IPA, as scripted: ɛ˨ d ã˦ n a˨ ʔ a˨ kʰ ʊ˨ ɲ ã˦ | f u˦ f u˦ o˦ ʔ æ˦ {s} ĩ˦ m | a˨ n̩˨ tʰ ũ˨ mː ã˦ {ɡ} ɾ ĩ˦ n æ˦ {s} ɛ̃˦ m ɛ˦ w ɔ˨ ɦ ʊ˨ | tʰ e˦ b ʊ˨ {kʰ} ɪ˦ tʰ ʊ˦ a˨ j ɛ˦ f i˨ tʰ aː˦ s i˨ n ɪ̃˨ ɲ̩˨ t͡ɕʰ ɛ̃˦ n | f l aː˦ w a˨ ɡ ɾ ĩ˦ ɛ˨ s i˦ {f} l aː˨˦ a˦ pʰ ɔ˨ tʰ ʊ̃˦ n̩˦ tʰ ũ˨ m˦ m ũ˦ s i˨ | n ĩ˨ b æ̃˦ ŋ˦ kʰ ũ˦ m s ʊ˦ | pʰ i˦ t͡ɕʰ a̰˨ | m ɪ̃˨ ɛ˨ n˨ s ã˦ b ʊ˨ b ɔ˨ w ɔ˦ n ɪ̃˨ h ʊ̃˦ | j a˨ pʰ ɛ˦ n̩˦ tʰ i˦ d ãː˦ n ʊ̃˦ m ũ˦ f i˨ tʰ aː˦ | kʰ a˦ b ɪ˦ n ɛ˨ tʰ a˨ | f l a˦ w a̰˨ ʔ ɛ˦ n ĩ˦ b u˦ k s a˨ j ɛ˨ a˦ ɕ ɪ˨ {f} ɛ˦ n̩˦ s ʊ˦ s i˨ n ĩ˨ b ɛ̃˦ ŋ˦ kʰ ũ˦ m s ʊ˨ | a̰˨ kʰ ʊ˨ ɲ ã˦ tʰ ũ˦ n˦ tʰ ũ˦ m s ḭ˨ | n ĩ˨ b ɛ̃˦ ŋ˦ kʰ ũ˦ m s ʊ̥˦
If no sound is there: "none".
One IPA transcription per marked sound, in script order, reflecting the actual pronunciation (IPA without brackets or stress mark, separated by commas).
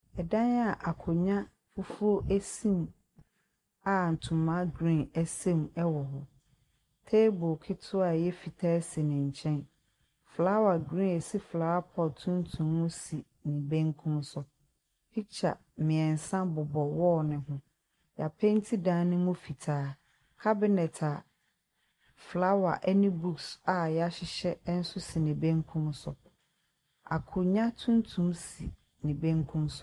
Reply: s, ɡ, s, kʰ, f, ɕ